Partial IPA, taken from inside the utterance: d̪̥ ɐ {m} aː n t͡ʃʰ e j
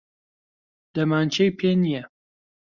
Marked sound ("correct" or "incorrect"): correct